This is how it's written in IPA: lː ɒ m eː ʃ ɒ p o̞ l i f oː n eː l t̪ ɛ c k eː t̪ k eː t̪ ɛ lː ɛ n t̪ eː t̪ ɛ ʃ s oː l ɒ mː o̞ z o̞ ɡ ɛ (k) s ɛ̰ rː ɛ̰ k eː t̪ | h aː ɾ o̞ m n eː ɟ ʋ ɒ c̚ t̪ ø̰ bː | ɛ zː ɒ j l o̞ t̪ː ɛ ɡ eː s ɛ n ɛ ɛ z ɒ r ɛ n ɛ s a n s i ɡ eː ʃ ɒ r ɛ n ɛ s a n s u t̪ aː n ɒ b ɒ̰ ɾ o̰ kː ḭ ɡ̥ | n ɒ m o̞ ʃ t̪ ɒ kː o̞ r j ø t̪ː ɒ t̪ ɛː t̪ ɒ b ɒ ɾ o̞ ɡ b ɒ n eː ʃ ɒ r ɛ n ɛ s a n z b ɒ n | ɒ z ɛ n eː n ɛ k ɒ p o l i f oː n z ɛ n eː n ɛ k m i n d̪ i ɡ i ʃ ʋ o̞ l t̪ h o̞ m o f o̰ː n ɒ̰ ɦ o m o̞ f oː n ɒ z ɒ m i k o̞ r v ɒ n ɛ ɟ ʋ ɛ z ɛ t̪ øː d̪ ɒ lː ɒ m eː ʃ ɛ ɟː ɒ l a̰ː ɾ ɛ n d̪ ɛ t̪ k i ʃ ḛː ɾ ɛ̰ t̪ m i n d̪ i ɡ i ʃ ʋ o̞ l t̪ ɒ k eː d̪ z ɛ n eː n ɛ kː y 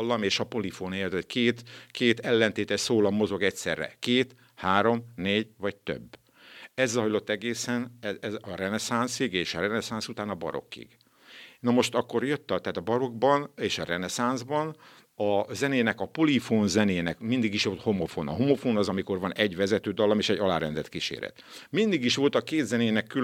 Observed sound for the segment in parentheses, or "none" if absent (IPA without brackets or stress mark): c